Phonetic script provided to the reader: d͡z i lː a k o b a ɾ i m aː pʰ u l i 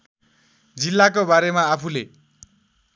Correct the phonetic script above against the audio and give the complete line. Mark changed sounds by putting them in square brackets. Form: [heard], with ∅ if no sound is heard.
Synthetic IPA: d͡z i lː a k o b a ɾ [e] m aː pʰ u l [e]